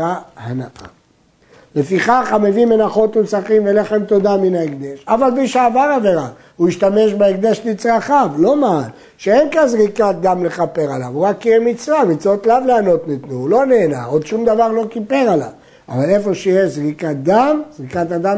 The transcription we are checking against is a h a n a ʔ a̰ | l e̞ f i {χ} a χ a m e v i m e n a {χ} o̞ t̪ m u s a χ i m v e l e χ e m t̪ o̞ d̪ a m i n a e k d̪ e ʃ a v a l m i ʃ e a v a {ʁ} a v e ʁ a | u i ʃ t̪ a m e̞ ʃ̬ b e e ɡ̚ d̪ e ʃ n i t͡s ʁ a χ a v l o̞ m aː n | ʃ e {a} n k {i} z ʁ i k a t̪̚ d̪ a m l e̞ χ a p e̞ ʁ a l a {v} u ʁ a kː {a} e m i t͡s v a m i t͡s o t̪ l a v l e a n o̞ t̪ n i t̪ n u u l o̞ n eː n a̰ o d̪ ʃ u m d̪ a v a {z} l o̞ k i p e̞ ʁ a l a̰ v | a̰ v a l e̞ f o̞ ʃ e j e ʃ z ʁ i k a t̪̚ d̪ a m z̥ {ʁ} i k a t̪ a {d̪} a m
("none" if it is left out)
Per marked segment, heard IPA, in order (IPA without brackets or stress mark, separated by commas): χ, χ, ʁ, e, a, v, i, ʁ, ʁ, d̪